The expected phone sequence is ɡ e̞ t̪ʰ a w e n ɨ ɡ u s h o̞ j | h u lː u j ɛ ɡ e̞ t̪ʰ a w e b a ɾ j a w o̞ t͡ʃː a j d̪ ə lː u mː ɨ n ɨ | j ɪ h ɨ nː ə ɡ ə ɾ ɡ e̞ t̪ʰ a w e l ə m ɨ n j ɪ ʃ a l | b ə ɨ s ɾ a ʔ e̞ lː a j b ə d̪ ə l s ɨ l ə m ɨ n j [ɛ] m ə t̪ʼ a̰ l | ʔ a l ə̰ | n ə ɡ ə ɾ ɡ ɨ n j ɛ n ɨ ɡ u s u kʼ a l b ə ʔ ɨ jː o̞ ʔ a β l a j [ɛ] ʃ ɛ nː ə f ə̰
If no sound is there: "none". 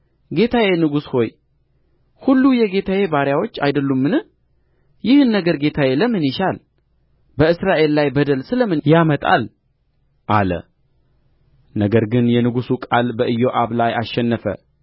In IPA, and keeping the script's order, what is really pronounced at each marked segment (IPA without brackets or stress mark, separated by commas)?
a, a